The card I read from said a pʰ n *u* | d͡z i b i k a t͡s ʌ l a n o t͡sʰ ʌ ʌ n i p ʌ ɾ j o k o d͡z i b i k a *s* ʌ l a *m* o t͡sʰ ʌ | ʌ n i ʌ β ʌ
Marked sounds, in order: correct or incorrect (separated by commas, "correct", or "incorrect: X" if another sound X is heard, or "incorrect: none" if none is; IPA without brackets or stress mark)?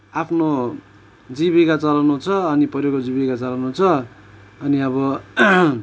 incorrect: o, incorrect: t͡s, incorrect: n